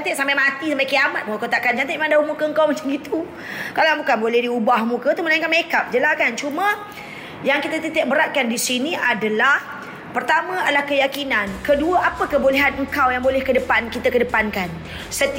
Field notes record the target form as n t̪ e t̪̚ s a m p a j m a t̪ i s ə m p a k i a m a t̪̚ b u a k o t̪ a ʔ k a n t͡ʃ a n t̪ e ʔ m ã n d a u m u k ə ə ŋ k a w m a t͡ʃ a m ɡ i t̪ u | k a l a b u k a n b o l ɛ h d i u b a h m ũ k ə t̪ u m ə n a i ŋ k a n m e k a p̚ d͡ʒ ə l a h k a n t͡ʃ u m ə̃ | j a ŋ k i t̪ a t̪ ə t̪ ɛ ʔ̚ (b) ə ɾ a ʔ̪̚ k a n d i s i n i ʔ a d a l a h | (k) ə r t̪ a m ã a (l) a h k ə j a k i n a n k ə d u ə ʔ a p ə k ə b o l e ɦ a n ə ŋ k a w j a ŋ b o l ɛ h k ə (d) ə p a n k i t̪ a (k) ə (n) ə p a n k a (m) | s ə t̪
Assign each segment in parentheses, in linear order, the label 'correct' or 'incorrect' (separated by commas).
correct, incorrect, correct, correct, correct, incorrect, incorrect